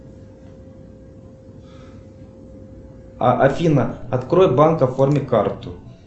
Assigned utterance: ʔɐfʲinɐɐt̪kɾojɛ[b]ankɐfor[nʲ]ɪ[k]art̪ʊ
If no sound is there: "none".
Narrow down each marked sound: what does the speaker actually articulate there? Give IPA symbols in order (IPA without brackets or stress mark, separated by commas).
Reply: b, mʲ, k